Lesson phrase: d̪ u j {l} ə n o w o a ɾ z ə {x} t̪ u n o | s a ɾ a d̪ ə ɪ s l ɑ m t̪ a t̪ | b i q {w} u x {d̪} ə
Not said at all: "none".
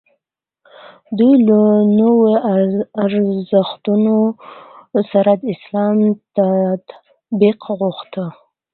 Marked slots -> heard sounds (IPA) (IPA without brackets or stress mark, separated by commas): l, x, ɣ, t̪